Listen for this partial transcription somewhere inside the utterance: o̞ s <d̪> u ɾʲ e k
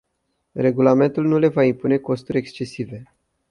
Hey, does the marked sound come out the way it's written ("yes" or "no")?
no